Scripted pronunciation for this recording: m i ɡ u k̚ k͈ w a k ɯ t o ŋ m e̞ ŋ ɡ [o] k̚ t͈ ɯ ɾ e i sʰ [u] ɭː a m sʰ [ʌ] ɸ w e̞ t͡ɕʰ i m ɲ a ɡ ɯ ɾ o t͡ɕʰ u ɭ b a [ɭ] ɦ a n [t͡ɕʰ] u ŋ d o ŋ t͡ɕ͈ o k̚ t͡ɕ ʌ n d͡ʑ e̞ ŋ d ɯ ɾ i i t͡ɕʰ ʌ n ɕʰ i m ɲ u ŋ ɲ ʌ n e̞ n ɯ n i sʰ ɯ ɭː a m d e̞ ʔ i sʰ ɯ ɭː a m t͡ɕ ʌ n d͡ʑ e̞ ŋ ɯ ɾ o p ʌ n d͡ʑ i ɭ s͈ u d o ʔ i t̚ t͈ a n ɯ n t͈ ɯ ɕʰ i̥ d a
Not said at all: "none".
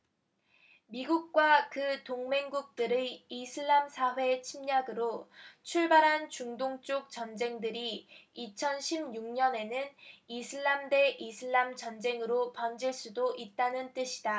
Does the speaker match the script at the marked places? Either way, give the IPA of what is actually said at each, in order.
u, ɯ, a, ɾ, t͡ɕ

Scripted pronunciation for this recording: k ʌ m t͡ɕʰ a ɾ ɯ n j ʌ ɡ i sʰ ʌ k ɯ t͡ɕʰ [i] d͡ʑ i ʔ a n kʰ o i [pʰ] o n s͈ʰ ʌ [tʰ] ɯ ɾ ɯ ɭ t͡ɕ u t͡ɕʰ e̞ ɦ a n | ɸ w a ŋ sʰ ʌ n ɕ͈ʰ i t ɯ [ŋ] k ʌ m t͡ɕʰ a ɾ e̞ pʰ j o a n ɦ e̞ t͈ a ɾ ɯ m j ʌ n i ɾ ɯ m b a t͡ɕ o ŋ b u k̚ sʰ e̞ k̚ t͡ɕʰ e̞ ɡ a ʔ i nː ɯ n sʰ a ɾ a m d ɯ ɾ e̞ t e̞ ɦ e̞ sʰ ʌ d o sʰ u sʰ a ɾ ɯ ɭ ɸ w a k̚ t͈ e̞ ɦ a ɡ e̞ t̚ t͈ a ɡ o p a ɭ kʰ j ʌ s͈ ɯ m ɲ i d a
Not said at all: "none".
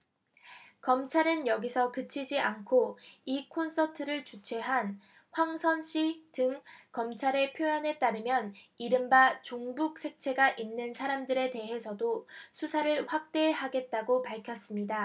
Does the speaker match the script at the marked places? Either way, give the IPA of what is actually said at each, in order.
i, kʰ, tʰ, ŋ

